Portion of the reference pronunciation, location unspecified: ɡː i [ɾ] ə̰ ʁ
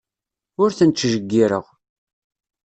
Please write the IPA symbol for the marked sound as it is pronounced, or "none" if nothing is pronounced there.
ɾ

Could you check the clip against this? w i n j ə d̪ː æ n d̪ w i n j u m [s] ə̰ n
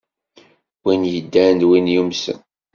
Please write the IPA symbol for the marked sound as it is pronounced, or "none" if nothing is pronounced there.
s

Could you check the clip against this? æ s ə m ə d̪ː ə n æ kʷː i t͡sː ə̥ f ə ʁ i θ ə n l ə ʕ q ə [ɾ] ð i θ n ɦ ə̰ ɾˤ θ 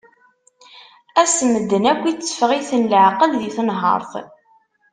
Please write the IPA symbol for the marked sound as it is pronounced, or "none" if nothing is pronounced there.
l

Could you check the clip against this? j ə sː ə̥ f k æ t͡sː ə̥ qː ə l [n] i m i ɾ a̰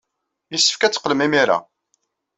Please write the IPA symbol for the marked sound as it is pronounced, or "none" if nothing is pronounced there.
m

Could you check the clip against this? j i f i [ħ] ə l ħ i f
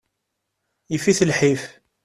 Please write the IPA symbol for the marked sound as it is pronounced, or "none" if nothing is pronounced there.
θ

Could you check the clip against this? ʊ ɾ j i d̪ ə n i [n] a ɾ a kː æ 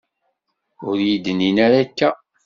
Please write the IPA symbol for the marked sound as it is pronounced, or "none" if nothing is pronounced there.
n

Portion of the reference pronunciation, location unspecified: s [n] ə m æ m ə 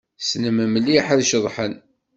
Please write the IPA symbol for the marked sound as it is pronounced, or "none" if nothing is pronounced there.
n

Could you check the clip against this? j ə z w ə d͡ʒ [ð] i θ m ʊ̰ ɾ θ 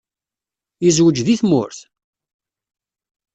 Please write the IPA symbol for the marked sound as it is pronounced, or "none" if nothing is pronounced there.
ð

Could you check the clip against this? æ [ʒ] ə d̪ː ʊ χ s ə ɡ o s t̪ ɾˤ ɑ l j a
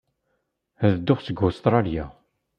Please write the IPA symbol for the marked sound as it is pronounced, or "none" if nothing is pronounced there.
ð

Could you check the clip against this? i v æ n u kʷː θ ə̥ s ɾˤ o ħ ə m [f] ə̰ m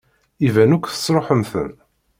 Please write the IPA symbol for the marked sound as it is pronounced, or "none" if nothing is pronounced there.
θ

